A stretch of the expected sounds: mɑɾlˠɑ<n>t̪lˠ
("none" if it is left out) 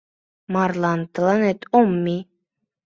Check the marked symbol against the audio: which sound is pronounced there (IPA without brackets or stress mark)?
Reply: n